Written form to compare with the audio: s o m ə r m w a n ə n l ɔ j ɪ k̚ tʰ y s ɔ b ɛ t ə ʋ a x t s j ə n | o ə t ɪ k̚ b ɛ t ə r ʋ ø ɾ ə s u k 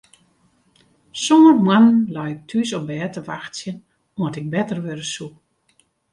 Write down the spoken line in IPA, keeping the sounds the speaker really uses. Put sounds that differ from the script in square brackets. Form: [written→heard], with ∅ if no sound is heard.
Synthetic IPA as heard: s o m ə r m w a n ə n l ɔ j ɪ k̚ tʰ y s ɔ b [ɛ→ɛː] t ə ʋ a x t s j ə n | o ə t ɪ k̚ b ɛ t ə r ʋ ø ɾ ə s u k